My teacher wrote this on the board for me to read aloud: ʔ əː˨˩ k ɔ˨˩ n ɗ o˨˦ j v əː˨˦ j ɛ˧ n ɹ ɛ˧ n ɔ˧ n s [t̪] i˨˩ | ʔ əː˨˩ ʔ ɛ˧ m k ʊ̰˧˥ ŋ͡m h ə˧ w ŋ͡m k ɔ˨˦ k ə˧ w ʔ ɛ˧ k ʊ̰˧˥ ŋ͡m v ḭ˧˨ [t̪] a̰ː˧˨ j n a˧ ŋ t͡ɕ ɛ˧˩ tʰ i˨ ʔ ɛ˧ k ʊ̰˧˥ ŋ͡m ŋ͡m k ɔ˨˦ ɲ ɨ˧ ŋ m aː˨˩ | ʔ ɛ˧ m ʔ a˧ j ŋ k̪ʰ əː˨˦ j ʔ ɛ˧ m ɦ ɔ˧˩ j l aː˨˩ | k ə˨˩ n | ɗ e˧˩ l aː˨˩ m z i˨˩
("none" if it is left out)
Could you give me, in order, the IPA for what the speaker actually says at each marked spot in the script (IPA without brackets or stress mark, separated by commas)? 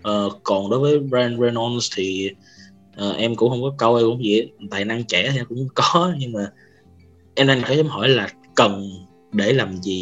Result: t̪ʰ, t̪